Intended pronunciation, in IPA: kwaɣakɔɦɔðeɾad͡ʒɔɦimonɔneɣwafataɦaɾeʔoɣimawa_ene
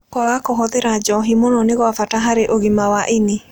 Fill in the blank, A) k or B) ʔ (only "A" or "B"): B